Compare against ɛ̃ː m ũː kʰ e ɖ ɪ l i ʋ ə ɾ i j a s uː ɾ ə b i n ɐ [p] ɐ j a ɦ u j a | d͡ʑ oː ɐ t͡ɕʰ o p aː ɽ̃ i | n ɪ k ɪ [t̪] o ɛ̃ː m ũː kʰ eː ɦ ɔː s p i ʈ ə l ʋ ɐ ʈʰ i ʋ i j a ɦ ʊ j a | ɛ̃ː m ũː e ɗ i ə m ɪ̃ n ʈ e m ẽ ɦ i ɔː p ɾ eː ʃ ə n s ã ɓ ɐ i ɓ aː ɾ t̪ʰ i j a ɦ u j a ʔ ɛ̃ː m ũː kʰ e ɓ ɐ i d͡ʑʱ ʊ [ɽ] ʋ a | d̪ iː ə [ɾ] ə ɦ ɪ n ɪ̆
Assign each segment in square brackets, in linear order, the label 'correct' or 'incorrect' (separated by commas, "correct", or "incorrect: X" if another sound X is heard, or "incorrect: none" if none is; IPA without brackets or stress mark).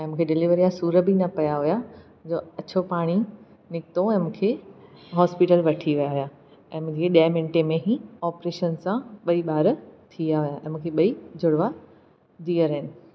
correct, correct, correct, correct